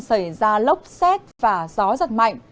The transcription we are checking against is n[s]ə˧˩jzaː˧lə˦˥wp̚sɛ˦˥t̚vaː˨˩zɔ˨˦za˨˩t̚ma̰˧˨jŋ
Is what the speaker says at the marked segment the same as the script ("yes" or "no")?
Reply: yes